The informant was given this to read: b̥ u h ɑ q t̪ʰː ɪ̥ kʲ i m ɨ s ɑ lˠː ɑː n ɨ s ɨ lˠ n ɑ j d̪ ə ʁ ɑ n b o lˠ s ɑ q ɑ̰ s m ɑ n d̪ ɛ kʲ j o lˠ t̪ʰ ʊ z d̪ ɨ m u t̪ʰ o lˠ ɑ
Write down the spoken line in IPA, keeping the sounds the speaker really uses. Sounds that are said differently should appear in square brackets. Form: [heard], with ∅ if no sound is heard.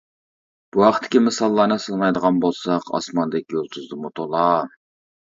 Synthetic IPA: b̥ u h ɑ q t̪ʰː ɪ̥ kʲ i m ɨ s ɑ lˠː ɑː n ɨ s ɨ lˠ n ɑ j d̪ ə ʁ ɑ n b o lˠ s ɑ q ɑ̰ s m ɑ n d̪ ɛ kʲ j o lˠ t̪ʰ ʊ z d̪ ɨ m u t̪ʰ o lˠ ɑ

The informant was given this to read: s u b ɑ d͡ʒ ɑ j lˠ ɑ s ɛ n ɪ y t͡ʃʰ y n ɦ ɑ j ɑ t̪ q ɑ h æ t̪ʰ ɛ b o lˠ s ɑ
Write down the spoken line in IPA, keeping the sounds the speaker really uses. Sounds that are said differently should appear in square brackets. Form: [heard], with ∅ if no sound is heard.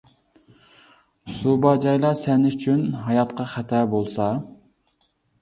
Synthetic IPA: s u b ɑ d͡ʒ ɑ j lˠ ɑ s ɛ n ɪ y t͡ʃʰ y n ɦ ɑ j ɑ t̪ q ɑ [χ] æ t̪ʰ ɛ b o lˠ s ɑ

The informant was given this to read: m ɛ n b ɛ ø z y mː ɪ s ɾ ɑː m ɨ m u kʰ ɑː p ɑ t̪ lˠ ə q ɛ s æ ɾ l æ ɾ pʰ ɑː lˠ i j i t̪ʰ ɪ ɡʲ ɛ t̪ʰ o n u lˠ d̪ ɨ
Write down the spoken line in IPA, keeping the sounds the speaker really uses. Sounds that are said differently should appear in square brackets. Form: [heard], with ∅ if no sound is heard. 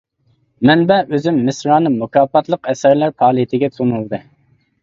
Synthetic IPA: m ɛ n b ɛ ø z y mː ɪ s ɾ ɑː [n] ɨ m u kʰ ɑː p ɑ t̪ lˠ ə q ɛ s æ ɾ l æ ɾ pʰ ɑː lˠ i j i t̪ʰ ɪ ɡʲ ɛ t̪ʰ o n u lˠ d̪ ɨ

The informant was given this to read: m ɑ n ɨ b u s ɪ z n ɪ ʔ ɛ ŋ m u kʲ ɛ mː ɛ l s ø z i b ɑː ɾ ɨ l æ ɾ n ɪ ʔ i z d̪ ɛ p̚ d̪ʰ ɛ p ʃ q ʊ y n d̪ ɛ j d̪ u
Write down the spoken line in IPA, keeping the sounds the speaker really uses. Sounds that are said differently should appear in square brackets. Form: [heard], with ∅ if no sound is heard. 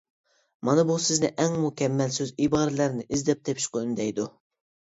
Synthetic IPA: m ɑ n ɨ b u s ɪ z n ɪ ʔ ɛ ŋ m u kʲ ɛ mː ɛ l s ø z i b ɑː ɾ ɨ l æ ɾ n ɪ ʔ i z d̪ ɛ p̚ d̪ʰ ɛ p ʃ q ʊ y n d̪ ɛ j d̪ u

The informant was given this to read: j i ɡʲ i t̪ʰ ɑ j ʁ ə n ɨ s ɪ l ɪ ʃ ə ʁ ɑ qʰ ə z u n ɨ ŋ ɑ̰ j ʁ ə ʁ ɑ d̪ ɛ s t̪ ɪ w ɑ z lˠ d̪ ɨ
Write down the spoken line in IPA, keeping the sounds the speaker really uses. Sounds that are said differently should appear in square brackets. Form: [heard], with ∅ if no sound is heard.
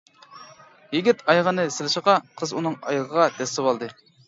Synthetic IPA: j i ɡʲ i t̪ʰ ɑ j ʁ ə n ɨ s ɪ l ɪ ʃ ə ʁ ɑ qʰ ə z u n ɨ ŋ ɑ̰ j ʁ ə ʁ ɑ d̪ ɛ s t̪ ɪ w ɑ [∅] lˠ d̪ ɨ

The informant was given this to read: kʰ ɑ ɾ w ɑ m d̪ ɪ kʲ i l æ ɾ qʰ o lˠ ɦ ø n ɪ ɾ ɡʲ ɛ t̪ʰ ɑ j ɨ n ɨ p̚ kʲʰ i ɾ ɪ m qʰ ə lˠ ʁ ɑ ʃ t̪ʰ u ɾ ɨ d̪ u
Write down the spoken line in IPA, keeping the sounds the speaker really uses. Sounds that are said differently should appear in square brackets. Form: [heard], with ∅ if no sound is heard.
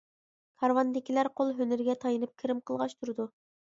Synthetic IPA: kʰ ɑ ɾ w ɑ [n] d̪ ɪ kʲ i l æ ɾ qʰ o lˠ ɦ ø n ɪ ɾ ɡʲ ɛ t̪ʰ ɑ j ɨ n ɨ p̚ kʲʰ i ɾ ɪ m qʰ ə lˠ ʁ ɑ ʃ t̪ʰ u ɾ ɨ d̪ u

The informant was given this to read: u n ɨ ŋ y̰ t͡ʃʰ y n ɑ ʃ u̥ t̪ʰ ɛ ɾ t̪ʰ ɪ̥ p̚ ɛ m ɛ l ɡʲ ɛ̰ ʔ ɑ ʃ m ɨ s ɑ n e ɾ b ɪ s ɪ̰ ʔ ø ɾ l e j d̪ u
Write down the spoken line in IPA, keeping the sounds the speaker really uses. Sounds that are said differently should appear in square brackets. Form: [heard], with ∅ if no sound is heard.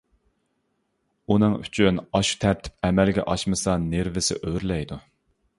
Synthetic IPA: u n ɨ ŋ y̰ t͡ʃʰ y n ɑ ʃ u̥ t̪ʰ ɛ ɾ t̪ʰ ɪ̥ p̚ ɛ m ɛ l ɡʲ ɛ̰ ʔ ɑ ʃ m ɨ s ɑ n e ɾ [v] ɪ s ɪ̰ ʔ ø ɾ l [ɛ] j d̪ u

